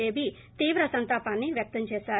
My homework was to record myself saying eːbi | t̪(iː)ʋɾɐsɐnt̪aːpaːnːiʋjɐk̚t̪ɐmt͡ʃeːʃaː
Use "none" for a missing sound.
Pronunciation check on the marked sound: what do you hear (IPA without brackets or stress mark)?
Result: iː